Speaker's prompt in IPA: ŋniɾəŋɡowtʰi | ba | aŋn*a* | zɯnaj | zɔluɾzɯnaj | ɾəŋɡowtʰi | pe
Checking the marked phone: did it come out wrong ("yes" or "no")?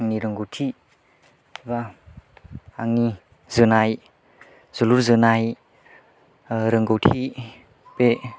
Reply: yes